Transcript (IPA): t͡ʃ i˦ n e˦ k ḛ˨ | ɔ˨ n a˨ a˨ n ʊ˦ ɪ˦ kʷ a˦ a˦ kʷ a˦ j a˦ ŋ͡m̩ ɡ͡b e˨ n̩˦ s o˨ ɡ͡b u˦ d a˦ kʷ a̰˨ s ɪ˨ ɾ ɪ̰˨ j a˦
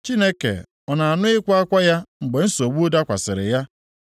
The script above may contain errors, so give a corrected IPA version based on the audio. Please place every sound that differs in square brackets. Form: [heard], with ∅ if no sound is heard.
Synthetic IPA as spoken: t͡ʃ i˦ n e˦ k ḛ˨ | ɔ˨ n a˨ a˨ n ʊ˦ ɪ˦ kʷ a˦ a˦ kʷ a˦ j a˦ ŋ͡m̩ ɡ͡b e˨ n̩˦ s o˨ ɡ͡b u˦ d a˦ kʷ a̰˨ s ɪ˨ ɾ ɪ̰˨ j a˦